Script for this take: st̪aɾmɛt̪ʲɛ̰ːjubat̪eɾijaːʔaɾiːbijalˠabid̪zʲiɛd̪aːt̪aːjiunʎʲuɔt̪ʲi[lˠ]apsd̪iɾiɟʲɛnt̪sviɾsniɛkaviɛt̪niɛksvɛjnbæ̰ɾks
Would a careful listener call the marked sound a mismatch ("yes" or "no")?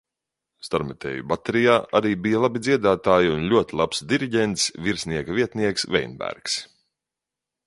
no